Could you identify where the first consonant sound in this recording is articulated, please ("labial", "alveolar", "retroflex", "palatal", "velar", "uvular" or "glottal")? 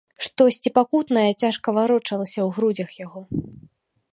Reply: retroflex